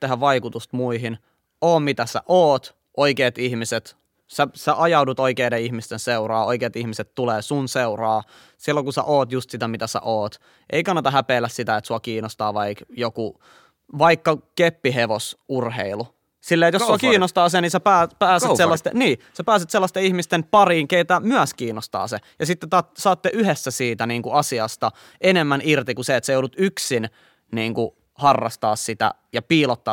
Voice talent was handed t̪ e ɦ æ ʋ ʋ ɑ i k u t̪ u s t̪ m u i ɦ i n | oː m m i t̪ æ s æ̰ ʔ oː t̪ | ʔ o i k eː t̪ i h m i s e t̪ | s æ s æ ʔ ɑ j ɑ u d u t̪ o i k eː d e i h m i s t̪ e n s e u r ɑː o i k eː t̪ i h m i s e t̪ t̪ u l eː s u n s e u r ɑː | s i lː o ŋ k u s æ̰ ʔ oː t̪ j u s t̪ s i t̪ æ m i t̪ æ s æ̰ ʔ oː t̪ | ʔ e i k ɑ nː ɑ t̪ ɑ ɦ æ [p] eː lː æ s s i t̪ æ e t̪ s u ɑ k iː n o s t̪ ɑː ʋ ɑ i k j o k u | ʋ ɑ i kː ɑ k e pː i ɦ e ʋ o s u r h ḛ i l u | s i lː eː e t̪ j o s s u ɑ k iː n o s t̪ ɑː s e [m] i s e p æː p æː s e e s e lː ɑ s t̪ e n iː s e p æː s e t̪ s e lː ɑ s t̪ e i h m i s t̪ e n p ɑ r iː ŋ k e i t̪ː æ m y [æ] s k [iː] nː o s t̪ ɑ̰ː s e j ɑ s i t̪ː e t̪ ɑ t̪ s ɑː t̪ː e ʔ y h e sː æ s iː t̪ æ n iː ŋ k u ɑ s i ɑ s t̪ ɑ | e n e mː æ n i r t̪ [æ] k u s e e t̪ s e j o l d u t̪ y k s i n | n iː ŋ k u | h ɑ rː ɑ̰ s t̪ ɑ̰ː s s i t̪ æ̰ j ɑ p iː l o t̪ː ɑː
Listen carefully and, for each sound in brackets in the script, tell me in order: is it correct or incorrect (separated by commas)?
correct, incorrect, correct, correct, incorrect